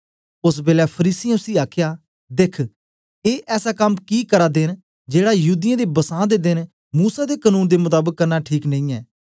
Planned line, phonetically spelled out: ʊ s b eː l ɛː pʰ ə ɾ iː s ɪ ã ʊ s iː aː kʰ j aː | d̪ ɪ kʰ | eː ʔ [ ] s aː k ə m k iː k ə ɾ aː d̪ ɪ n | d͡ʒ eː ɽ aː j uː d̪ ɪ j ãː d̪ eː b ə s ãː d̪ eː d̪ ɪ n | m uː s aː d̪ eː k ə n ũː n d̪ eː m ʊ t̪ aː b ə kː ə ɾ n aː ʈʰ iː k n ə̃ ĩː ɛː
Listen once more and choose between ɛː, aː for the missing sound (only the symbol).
ɛː